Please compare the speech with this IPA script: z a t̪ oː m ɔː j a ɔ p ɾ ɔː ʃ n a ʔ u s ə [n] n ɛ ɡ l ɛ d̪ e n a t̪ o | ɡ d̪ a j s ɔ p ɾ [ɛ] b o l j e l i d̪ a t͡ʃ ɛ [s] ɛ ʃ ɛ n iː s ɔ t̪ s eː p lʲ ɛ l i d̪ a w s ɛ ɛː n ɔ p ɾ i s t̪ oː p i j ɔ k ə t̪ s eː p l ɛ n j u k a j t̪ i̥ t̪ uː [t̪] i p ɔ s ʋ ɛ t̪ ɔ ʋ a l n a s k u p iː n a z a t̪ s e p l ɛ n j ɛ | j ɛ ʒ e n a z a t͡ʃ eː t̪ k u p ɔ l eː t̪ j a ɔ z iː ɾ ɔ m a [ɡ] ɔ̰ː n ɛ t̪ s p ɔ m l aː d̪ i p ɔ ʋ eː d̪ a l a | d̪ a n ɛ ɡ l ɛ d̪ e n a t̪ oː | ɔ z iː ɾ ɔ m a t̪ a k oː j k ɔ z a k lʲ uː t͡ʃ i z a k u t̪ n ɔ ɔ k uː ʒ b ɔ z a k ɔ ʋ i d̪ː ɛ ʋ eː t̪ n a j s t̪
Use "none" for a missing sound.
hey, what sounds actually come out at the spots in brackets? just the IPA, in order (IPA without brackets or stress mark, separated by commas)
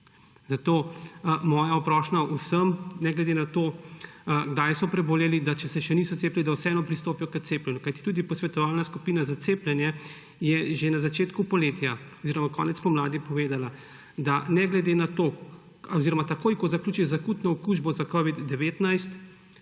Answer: m, ɛ, s, d̪, k